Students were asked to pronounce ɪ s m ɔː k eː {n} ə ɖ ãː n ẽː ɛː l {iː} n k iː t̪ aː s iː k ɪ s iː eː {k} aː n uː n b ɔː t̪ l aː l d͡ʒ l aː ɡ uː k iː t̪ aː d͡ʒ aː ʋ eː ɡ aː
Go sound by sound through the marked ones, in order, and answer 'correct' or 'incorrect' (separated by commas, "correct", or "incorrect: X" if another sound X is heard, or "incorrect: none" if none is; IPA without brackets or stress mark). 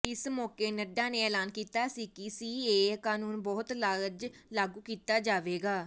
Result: correct, incorrect: aː, correct